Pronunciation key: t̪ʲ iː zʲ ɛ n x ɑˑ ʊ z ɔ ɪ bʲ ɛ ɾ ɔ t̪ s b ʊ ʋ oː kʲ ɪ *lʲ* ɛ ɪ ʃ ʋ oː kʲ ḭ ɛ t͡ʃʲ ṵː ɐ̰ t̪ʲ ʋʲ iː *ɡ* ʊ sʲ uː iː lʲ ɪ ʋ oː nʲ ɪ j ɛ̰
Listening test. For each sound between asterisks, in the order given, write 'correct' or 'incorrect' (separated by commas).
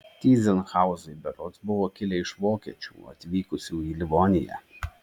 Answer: correct, incorrect